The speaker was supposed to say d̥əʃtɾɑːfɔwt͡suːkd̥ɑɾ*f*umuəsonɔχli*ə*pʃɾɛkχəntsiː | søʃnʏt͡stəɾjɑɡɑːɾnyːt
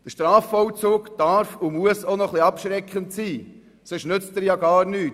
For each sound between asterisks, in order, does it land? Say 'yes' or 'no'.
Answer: yes, no

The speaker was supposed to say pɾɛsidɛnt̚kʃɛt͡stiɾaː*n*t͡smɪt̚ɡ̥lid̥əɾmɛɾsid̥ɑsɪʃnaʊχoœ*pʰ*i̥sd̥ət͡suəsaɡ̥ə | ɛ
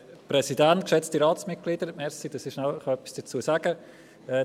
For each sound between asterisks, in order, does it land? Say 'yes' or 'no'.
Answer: no, no

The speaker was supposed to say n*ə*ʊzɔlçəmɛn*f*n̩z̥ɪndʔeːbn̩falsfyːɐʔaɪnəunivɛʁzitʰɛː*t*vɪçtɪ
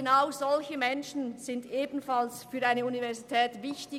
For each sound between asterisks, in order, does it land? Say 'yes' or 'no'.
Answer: no, no, yes

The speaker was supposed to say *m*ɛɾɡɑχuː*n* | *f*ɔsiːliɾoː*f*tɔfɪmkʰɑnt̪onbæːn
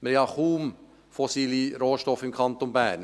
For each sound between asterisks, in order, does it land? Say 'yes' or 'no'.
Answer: yes, no, yes, no

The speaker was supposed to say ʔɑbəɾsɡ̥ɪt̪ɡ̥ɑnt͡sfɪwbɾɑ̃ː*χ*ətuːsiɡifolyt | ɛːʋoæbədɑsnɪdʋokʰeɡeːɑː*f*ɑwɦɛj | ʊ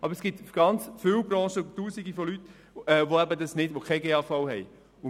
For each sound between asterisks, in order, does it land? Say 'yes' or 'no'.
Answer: no, yes

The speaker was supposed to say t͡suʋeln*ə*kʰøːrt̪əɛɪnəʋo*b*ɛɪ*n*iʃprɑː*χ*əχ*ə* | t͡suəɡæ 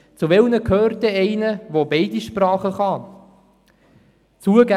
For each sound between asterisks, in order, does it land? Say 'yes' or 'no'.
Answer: yes, yes, no, yes, no

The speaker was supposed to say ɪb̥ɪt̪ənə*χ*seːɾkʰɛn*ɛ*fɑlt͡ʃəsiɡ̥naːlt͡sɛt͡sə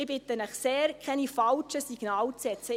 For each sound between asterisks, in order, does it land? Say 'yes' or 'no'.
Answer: yes, no

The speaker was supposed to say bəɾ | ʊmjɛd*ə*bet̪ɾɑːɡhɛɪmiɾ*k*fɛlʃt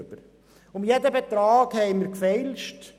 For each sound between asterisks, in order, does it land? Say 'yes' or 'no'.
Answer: yes, yes

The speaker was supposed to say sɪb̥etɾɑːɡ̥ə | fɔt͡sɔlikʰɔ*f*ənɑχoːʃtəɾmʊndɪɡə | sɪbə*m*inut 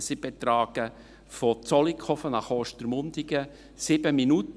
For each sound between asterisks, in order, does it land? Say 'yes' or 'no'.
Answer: yes, yes

